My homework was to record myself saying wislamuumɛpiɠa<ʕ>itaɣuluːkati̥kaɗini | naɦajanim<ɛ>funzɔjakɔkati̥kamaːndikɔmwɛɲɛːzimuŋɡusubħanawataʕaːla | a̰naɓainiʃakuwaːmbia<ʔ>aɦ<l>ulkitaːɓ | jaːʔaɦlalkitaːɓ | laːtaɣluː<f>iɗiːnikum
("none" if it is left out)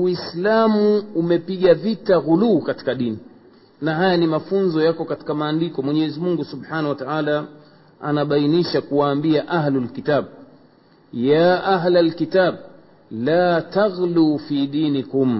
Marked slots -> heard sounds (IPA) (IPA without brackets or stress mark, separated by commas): v, a, ʔ, l, f